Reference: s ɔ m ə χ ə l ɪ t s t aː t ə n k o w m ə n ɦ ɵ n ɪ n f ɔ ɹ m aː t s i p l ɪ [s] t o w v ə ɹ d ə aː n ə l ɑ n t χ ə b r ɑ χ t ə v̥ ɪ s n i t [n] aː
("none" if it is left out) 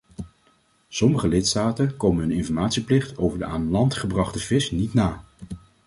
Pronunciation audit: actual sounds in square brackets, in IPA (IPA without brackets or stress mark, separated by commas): χ, n